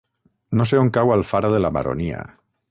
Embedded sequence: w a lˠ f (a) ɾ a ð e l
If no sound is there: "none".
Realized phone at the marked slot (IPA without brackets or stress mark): a